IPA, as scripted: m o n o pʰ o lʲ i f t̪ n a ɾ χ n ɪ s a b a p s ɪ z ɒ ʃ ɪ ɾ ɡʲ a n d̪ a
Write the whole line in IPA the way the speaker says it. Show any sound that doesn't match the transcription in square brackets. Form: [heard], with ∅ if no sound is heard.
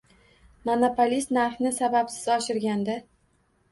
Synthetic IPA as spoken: m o n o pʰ o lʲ i [s] t̪ n a ɾ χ n ɪ s a b a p s ɪ z ɒ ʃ ɪ ɾ ɡʲ a n d̪ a